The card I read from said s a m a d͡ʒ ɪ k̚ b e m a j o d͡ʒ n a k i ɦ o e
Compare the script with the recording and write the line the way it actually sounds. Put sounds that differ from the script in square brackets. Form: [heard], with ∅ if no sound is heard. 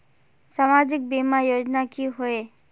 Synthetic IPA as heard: s a m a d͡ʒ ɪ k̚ b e m a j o d͡ʒ n a k i ɦ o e